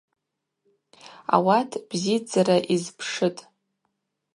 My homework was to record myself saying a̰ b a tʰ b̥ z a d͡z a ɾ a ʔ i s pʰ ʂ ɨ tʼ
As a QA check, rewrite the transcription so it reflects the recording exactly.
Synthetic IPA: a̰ w a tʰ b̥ z i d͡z a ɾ a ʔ i z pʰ ʂ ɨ tʼ